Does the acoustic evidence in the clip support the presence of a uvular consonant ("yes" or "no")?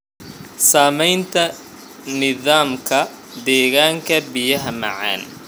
no